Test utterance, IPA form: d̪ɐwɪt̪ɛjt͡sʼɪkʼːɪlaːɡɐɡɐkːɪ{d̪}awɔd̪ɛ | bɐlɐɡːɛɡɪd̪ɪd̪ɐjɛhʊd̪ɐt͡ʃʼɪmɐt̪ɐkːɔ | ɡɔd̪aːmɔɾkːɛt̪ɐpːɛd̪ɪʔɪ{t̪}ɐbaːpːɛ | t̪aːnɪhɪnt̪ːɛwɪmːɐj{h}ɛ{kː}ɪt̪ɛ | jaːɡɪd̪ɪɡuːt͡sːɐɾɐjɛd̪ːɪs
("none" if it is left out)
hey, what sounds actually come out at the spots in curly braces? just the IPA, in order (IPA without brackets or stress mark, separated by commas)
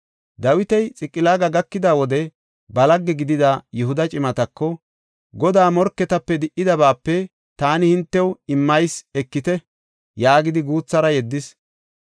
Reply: d̪, d̪, s, kː